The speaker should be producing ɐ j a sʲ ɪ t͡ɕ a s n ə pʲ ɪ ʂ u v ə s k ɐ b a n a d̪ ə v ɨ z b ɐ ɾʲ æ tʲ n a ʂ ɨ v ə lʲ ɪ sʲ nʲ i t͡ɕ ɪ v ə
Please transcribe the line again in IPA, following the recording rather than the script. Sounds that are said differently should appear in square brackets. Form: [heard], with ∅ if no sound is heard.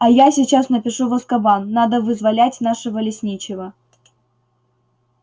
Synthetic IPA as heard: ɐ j a sʲ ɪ t͡ɕ a s n ə pʲ ɪ ʂ u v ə s k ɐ b a [nː] a d̪ ə v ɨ z [v] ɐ [lʲ] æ tʲ n a ʂ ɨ v ə lʲ ɪ sʲ nʲ i t͡ɕ ɪ v ə

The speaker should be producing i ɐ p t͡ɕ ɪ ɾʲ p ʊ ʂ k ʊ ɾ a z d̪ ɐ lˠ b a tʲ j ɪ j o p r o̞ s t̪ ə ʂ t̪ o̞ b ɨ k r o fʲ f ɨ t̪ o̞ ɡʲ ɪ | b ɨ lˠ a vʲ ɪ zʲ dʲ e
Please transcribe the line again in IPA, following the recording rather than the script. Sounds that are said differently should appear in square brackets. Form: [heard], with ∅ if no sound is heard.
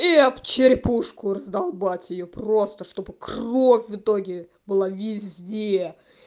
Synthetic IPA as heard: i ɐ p t͡ɕ ɪ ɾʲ p [u] ʂ k ʊ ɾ [ə] z d̪ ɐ lˠ b a tʲ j ɪ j o p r o̞ s t̪ ə ʂ t̪ o̞ b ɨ k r o fʲ [v] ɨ t̪ o̞ ɡʲ ɪ | b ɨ lˠ a vʲ ɪ zʲ dʲ e

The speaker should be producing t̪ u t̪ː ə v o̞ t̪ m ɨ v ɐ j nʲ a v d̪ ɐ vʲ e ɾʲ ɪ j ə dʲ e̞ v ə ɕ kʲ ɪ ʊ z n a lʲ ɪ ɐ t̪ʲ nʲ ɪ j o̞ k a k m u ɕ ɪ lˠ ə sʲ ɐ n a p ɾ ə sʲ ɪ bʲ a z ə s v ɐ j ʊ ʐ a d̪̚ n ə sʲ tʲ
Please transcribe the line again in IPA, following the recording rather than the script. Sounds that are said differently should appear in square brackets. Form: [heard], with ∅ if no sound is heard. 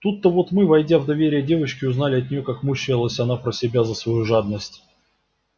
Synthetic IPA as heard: t̪ u t̪ː ə v o̞ t̪ m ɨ v ɐ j [dʲ] a v d̪ ɐ vʲ e ɾʲ ɪ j ə dʲ e̞ v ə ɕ kʲ ɪ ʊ z n a lʲ ɪ ɐ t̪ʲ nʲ ɪ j o̞ k a k m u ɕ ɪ lˠ ə sʲ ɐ n a p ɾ ə sʲ ɪ bʲ a z ə s v ɐ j [u] ʐ a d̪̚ n ə sʲ tʲ

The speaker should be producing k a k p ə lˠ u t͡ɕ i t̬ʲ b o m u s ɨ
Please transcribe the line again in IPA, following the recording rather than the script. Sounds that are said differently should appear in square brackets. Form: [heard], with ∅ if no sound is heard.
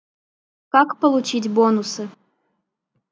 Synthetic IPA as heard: k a k p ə lˠ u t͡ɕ i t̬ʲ b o [n] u s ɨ

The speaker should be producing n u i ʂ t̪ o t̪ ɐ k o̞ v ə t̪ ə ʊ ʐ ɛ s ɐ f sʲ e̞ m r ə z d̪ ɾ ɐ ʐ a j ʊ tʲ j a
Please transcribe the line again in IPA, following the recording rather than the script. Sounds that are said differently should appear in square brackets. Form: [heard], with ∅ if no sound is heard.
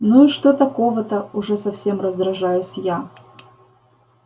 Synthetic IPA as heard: n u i ʂ t̪ o t̪ ɐ k o̞ v ə t̪ ə ʊ ʐ ɛ s ɐ f sʲ e̞ m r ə z d̪ ɾ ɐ ʐ a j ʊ [sʲ] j a

